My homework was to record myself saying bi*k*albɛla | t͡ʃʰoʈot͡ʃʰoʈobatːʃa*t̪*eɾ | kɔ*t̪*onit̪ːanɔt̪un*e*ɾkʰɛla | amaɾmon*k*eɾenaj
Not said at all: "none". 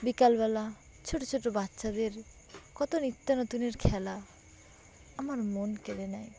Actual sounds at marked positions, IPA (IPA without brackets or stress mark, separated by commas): k, d̪, t̪, e, k